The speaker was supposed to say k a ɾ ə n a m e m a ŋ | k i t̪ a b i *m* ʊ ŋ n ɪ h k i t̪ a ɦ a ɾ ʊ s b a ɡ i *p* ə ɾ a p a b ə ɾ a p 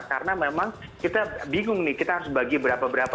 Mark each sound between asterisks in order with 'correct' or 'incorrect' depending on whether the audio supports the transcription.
incorrect: ŋ, incorrect: b

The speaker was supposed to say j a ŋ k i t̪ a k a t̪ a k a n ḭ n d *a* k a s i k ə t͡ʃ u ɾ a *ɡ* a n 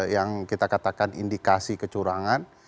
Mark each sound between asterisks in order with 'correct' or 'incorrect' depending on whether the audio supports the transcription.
incorrect: i, incorrect: ŋ

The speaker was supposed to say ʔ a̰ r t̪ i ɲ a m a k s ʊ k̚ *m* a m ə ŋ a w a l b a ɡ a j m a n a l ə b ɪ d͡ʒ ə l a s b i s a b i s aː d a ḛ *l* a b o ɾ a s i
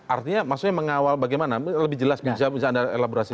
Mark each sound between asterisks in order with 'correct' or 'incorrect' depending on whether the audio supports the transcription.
incorrect: ɲ, correct

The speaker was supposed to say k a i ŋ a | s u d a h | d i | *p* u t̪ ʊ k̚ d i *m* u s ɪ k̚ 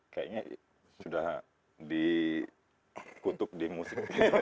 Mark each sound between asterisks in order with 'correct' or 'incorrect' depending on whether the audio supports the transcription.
incorrect: k, correct

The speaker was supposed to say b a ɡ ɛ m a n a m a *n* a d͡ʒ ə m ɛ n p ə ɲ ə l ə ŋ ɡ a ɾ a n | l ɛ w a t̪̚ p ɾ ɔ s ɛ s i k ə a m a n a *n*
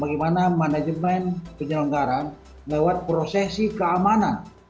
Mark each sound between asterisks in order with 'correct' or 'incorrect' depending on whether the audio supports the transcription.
correct, correct

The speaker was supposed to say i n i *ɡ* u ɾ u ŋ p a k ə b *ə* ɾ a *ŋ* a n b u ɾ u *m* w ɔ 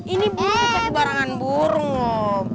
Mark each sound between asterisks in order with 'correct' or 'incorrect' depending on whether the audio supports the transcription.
incorrect: b, incorrect: a, correct, incorrect: ŋ

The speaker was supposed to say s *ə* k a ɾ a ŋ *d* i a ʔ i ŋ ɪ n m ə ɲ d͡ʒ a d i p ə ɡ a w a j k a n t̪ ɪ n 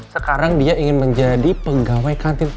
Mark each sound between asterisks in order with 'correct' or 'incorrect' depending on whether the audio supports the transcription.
correct, correct

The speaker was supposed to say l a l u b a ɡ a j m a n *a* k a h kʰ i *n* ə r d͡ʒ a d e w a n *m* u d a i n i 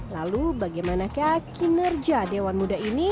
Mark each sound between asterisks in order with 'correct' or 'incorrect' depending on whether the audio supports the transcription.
correct, correct, correct

